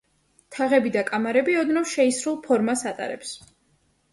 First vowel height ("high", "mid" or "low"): low